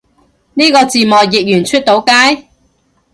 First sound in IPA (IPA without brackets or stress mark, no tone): n